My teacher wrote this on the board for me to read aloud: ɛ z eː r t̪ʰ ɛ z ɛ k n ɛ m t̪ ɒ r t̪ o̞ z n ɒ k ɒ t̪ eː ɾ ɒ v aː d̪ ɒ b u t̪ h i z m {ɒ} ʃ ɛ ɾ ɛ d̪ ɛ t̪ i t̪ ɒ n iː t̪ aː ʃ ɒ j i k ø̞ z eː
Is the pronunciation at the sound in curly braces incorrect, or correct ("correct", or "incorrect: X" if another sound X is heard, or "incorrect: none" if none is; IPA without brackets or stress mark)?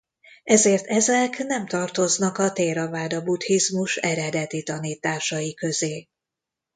incorrect: u